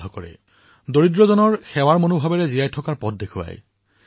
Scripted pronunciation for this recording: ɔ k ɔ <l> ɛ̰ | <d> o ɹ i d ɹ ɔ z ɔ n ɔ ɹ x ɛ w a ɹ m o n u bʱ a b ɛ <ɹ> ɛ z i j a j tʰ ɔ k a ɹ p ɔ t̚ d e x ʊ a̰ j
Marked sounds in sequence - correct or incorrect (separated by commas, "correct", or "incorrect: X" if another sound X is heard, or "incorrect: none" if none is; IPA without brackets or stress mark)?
incorrect: ɹ, correct, correct